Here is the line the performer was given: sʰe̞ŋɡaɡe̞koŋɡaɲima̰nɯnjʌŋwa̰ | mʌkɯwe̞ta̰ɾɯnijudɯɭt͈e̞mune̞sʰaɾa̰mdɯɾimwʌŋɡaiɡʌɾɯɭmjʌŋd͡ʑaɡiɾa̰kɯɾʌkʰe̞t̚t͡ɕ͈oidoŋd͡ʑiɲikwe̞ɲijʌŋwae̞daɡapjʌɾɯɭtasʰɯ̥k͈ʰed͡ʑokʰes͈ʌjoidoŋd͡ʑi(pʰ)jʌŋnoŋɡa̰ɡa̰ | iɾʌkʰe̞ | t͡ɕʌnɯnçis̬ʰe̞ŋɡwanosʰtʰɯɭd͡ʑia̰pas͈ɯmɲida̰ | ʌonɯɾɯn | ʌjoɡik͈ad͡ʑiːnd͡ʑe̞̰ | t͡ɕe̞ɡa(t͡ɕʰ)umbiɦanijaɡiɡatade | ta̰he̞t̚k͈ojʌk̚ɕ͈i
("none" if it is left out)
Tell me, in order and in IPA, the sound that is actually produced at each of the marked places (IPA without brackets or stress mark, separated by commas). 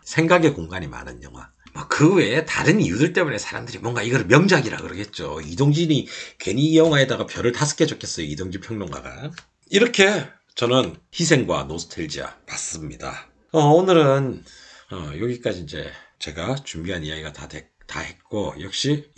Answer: pʰ, t͡ɕ